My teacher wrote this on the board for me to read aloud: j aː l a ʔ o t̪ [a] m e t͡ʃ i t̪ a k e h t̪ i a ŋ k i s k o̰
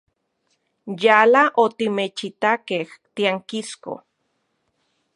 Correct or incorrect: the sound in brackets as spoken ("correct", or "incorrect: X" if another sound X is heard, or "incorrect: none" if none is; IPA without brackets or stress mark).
incorrect: i